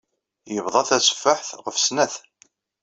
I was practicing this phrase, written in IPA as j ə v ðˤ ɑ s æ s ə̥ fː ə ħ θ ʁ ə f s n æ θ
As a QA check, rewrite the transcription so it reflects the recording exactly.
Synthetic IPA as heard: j ə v ðˤ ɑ θ æ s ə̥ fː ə ħ θ ʁ ə f s n æ θ